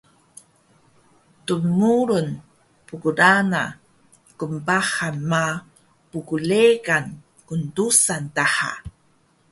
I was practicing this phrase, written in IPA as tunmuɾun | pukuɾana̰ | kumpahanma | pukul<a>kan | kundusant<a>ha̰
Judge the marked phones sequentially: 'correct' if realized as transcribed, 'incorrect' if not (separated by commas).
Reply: incorrect, correct